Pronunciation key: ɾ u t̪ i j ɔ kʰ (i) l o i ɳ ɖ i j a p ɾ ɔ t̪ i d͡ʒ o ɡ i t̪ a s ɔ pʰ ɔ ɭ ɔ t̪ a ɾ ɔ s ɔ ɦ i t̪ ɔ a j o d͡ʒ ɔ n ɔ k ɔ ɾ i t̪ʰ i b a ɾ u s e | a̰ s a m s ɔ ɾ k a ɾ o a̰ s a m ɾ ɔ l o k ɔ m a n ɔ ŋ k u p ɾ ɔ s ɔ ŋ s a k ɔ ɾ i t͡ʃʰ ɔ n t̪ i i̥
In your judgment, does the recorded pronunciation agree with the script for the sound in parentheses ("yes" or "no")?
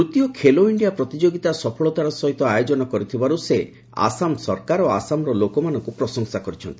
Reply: no